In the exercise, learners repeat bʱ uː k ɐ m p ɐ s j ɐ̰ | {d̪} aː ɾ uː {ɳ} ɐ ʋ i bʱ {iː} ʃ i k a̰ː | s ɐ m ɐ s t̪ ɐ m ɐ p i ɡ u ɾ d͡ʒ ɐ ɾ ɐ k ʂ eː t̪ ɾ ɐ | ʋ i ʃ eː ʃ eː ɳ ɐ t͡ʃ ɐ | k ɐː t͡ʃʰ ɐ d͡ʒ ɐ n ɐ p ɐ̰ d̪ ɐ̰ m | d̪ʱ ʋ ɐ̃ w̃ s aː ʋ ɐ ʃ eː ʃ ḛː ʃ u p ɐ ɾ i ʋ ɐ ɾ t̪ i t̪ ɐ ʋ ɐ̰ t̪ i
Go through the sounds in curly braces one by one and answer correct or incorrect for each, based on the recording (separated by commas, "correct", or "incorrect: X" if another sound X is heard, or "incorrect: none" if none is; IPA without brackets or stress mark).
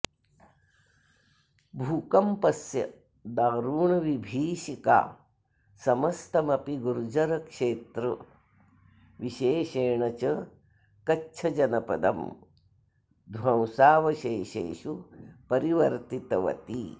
correct, correct, correct